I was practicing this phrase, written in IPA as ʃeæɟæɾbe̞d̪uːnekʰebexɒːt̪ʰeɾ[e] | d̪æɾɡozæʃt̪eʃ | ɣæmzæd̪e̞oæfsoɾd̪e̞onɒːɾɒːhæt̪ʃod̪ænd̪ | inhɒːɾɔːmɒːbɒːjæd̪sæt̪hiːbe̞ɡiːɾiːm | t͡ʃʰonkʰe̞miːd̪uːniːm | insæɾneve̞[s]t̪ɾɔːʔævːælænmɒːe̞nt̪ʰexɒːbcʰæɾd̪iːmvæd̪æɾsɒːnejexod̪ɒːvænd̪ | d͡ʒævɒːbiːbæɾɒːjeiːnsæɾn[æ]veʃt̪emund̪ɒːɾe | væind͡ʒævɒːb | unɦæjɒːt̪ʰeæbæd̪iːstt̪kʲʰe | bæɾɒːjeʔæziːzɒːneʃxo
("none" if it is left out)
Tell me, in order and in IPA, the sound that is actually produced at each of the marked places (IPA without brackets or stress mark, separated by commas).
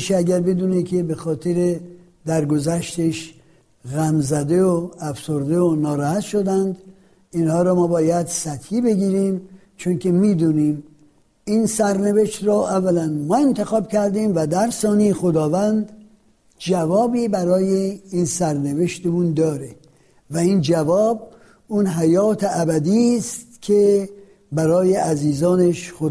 e, ʃ, e